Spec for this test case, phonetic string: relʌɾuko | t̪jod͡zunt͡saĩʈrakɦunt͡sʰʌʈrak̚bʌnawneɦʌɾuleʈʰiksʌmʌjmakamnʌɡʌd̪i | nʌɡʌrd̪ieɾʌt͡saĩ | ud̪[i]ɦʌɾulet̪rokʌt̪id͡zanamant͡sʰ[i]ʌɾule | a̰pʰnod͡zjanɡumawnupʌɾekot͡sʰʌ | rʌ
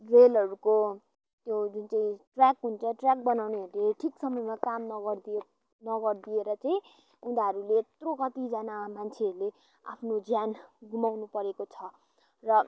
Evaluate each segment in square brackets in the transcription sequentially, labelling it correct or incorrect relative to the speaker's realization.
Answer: incorrect: a, incorrect: e

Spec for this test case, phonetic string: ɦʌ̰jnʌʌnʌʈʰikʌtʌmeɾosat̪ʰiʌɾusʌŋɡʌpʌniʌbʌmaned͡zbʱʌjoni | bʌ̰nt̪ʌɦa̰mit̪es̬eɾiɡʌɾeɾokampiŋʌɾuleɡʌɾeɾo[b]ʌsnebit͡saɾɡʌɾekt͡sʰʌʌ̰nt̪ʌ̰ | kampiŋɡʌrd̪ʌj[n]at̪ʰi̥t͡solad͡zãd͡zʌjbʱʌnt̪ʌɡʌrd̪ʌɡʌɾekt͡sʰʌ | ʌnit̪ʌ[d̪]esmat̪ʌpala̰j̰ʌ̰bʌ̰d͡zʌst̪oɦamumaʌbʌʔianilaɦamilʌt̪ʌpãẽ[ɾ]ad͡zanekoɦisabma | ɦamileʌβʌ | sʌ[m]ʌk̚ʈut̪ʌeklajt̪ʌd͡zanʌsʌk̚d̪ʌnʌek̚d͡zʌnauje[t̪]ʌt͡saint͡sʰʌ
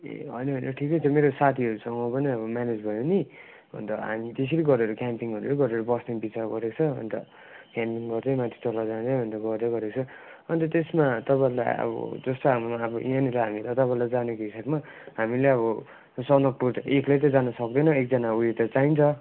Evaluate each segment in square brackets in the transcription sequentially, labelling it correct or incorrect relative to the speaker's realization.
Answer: correct, incorrect: m, incorrect: t̪, incorrect: l, incorrect: n, correct

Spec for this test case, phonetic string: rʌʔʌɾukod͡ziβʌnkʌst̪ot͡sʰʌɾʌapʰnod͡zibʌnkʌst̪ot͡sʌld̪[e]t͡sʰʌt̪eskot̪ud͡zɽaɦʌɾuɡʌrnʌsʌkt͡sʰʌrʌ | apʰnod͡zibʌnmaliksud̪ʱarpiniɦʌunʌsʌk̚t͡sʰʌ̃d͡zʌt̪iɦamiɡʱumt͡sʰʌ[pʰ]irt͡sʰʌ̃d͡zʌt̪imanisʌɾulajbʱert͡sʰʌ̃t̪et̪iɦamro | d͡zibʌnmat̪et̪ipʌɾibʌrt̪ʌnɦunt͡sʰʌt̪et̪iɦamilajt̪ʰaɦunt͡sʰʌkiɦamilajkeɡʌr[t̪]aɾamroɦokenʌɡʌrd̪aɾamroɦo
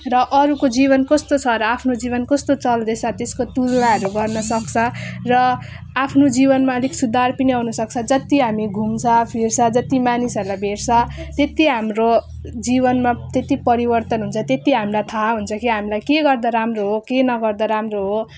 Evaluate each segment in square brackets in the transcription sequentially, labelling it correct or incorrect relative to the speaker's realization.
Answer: correct, correct, incorrect: d̪

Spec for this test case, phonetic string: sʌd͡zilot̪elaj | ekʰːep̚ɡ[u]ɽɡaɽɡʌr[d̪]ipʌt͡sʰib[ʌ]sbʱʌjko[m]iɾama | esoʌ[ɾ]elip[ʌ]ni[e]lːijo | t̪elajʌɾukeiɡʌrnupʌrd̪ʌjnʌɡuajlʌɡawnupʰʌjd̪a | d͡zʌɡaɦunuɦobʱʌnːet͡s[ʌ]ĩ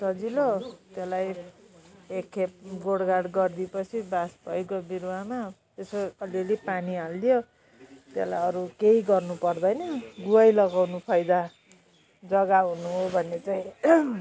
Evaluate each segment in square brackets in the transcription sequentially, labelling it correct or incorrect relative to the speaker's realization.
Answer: incorrect: o, correct, incorrect: a, incorrect: b, incorrect: l, incorrect: a, incorrect: a, incorrect: a

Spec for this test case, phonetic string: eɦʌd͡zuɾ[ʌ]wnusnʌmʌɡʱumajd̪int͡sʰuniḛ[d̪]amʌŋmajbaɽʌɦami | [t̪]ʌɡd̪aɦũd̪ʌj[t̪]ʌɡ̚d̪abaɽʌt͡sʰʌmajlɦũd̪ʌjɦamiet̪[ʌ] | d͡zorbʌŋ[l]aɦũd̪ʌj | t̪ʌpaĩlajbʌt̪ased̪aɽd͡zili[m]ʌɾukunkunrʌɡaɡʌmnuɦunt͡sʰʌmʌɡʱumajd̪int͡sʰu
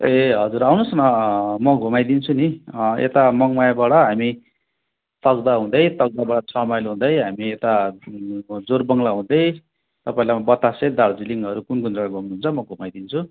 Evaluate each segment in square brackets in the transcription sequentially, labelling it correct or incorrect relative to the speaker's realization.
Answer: incorrect: a, incorrect: t̪, correct, correct, incorrect: a, correct, incorrect: ŋ

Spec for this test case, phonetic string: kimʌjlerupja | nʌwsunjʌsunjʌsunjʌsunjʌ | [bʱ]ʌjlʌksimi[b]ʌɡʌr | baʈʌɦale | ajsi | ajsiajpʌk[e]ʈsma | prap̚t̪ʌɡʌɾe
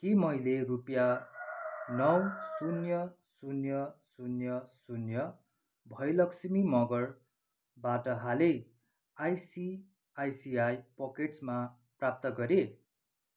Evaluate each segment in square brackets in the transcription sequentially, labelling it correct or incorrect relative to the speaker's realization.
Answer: correct, incorrect: m, correct

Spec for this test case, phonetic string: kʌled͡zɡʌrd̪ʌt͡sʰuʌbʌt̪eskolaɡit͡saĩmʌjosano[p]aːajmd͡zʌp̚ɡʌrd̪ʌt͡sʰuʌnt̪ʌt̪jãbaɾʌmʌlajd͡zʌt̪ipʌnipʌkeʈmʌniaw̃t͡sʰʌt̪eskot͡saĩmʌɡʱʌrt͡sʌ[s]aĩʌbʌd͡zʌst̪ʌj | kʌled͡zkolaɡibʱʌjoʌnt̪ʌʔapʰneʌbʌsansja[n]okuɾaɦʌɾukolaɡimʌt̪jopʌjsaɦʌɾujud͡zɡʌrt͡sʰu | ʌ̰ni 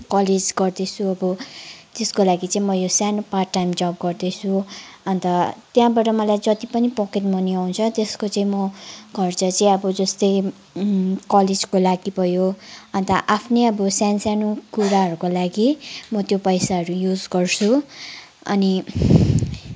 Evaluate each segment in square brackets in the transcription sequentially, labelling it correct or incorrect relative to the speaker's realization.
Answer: correct, incorrect: t͡s, correct

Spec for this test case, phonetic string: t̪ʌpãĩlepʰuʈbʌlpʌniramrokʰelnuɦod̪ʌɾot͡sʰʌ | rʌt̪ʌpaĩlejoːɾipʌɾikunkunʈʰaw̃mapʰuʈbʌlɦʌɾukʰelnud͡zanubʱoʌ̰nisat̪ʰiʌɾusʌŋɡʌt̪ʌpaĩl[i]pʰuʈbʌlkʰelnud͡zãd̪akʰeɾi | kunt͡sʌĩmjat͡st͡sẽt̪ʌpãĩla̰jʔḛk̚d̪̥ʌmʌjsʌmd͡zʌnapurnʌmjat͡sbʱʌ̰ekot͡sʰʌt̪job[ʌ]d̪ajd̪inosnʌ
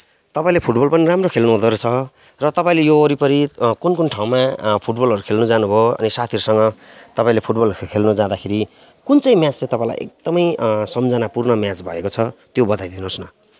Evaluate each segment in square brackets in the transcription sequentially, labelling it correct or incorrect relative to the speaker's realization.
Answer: incorrect: e, correct

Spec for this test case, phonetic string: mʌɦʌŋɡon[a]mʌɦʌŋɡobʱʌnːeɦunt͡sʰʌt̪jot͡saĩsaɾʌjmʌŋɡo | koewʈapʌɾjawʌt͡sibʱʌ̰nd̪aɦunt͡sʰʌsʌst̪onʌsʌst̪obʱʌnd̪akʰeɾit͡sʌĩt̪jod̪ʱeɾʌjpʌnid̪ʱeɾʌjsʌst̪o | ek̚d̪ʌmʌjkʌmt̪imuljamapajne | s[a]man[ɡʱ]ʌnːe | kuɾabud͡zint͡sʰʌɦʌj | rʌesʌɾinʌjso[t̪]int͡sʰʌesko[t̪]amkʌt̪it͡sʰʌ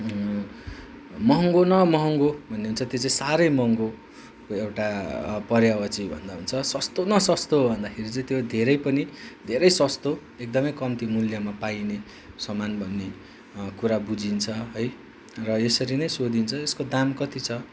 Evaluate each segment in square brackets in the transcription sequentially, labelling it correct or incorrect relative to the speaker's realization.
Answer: incorrect: ʌ, incorrect: ʌ, incorrect: bʱ, incorrect: d̪, incorrect: d̪

